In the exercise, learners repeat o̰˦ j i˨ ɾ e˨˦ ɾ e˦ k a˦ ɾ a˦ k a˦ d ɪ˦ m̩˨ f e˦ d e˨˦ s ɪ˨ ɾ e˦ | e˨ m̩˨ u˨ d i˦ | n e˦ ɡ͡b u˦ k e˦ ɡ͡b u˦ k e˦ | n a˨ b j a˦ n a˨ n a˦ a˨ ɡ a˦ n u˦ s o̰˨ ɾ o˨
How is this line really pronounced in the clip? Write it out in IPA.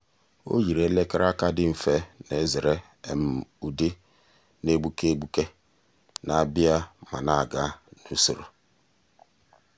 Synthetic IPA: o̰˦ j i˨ ɾ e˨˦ l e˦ k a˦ ɾ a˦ k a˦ d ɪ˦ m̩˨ f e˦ n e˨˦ z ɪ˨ ɾ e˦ | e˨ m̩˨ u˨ d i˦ | n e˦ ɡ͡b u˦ k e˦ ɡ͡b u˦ k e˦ | n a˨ b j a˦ m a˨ n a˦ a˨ ɡ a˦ n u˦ s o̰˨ ɾ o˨